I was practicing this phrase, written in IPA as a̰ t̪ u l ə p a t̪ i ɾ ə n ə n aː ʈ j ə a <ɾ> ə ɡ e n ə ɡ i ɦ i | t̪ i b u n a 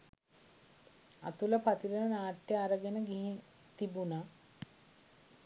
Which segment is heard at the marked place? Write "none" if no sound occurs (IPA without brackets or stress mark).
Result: ɾ